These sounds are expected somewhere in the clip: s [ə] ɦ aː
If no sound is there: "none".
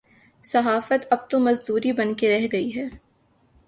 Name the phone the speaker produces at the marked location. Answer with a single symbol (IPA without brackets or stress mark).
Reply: ɐ